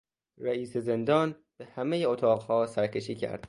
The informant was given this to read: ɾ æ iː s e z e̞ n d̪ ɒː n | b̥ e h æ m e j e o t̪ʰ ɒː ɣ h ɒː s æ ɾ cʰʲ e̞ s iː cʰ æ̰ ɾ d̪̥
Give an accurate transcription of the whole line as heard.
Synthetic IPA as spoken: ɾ æ iː s e z e̞ n d̪ ɒː n | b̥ e h æ m e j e o t̪ʰ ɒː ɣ h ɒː s æ ɾ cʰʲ e̞ ʃ iː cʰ æ̰ ɾ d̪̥